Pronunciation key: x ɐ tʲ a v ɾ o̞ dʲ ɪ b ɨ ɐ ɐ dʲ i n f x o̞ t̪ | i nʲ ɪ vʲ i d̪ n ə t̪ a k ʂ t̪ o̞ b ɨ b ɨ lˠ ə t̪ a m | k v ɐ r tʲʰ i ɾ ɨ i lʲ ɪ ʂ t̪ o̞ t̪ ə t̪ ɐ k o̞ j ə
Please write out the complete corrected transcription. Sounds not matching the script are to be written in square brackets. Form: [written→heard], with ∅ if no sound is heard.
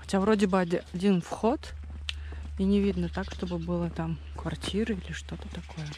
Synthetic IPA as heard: x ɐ tʲ a v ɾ o̞ dʲ ɪ b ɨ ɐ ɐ dʲ i n f x o̞ t̪ | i nʲ ɪ vʲ i d̪ n ə t̪ a k ʂ t̪ o̞ b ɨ b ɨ lˠ ə t̪ a m | k v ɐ r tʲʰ i ɾ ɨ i lʲ ɪ ʂ t̪ o̞ t̪ ə t̪ ɐ k o̞ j ə